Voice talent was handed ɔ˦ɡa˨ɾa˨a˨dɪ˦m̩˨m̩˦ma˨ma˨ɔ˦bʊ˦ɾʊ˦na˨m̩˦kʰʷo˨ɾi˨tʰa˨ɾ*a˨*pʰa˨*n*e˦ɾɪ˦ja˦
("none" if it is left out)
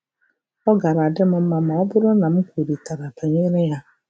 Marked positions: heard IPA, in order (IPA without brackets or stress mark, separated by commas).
a˨, ɲ